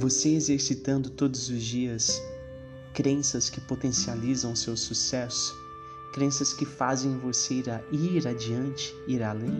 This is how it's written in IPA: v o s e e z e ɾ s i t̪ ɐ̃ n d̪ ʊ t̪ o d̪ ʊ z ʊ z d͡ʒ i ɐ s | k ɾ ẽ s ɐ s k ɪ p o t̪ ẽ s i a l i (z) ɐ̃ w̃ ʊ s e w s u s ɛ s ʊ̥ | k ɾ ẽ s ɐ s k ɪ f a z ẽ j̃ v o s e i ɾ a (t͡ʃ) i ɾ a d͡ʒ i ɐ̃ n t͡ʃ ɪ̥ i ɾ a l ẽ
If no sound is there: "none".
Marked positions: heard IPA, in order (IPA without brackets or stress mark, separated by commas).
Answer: z, none